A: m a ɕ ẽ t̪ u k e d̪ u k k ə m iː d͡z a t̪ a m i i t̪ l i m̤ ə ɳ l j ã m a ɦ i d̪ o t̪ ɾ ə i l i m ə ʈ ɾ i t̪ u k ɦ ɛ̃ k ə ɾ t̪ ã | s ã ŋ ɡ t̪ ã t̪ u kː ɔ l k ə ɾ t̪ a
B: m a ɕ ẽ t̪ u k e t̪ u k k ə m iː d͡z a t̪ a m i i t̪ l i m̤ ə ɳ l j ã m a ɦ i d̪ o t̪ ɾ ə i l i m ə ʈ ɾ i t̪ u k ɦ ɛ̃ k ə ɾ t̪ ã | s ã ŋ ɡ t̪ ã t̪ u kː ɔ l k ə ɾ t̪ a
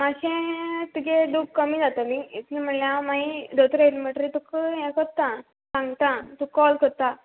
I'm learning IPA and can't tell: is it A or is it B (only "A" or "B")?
A